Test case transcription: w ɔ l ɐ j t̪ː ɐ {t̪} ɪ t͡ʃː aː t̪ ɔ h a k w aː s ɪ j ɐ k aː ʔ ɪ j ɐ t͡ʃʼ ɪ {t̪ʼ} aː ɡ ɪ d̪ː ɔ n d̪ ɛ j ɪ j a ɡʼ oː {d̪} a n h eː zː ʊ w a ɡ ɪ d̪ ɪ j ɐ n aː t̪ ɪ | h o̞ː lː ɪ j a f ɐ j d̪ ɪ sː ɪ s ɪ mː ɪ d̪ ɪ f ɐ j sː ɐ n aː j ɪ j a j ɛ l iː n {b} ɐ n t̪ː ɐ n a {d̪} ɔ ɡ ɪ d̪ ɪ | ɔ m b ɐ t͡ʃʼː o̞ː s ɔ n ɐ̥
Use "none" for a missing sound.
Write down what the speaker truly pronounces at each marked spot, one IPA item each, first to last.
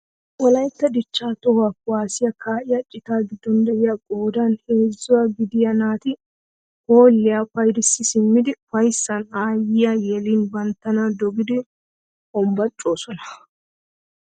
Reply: d̪, t̪, d̪, b, d̪

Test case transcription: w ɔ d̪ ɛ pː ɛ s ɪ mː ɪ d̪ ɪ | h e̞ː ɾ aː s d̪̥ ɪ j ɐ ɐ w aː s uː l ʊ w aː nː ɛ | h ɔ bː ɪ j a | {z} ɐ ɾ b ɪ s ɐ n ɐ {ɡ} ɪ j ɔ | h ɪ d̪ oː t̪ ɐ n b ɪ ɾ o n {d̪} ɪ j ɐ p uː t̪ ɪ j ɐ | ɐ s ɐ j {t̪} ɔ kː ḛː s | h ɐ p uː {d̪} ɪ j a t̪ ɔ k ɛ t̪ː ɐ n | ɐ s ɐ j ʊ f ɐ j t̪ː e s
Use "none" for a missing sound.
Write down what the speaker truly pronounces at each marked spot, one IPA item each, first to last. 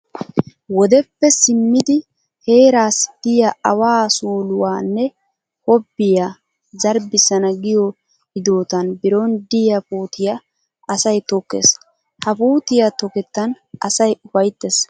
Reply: z, ɡ, d̪, t̪, t̪

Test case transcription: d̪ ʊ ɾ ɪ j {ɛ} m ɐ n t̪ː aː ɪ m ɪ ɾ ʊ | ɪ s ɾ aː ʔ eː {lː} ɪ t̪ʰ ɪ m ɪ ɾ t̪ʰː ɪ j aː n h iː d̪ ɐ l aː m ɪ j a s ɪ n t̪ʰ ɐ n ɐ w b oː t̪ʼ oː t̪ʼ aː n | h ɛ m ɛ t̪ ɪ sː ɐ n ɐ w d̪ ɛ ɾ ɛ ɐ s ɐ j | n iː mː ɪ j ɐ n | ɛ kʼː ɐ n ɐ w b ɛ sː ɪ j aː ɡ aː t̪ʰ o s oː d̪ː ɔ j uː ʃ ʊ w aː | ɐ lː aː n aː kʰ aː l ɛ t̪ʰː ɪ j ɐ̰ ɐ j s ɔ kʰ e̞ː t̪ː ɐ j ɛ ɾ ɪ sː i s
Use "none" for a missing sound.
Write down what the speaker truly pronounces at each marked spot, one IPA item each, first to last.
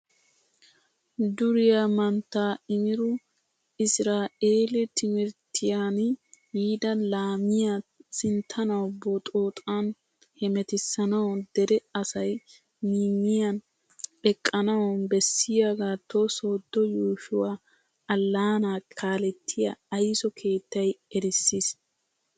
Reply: a, l

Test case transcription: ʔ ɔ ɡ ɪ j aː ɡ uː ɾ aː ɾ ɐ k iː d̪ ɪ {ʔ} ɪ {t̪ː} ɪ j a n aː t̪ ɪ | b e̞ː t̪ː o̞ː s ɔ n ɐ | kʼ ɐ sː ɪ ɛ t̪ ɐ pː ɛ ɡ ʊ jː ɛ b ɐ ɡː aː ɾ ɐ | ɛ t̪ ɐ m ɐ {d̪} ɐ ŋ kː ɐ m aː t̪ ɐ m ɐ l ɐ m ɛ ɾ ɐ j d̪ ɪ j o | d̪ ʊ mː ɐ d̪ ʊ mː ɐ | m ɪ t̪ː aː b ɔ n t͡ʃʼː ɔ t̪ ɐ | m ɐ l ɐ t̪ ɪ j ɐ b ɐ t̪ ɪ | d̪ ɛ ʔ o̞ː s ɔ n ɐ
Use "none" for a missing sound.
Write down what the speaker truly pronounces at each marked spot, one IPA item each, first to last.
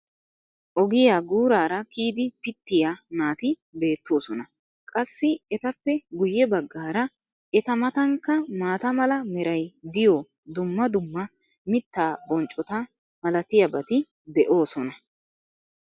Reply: p, t̪ː, t̪

